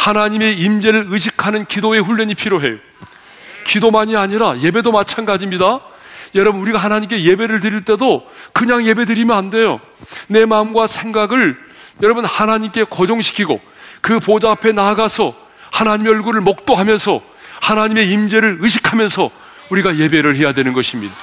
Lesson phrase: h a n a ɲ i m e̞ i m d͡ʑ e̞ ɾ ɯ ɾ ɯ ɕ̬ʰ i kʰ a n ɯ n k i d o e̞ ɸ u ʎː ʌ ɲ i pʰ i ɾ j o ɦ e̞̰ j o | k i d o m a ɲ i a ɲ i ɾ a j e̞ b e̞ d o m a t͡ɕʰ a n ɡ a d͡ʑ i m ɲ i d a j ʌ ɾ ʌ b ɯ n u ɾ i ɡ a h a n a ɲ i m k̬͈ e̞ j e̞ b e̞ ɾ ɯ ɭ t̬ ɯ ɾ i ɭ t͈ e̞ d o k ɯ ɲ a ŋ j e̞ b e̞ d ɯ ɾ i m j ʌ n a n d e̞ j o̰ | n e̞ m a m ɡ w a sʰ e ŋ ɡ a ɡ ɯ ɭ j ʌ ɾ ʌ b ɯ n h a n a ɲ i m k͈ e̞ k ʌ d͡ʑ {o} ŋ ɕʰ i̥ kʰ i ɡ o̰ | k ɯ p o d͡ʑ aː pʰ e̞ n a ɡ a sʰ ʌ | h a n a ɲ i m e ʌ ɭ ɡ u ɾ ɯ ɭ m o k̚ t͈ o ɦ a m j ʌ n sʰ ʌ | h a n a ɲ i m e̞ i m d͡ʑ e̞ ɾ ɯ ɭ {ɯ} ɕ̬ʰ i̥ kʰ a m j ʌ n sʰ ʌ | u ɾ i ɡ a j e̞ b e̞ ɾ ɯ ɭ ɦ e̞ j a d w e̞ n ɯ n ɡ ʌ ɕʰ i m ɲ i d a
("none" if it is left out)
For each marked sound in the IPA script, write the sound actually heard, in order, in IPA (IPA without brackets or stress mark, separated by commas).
o, ɯ